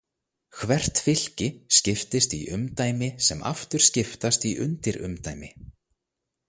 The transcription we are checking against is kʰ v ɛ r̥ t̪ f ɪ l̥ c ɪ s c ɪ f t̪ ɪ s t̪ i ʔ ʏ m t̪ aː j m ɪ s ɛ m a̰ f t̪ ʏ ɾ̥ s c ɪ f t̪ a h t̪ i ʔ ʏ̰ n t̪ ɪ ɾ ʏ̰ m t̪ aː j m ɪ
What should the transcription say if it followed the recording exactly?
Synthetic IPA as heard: kʰ v ɛ r̥ t̪ f ɪ l̥ c ɪ s c ɪ f t̪ ɪ s t̪ i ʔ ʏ m t̪ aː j m ɪ s ɛ m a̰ f t̪ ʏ ɾ̥ s c ɪ f t̪ a s t̪ i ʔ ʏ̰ n t̪ ɪ ɾ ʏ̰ m t̪ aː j m ɪ